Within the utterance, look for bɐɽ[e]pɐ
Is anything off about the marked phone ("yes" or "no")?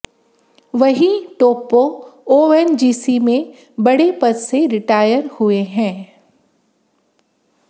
no